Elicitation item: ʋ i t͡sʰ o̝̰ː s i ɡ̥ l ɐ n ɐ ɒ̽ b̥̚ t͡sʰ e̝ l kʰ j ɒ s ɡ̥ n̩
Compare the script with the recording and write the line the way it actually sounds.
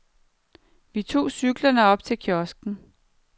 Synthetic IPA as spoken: ʋ i t͡sʰ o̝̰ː s y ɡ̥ l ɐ n ə ɒ̽ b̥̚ t͡sʰ e̝ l kʰ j ɒ s ɡ̥ n̩